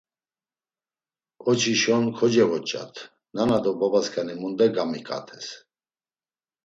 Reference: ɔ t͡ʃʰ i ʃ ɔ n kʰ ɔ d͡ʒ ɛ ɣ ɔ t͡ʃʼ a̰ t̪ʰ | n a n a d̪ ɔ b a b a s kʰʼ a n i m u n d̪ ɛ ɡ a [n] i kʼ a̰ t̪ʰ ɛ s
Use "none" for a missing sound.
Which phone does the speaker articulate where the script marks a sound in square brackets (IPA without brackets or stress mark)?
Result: m